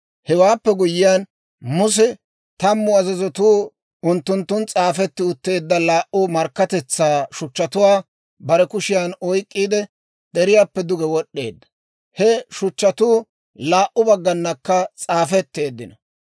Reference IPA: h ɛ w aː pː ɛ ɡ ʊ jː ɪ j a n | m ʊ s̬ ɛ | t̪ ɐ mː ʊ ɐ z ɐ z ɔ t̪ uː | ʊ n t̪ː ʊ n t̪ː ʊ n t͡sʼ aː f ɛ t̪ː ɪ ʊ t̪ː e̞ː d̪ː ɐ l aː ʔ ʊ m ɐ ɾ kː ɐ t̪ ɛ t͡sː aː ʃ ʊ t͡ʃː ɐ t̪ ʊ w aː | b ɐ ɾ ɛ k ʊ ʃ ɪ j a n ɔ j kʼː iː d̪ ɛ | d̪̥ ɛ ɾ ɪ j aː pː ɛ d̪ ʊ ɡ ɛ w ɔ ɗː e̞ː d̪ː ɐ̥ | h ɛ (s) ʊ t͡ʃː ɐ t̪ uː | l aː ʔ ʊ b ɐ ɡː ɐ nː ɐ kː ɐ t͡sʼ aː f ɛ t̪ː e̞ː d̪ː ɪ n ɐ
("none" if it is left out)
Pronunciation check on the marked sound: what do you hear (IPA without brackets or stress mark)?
ʃ